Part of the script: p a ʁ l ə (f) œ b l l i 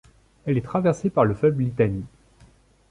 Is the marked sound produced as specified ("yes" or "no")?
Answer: yes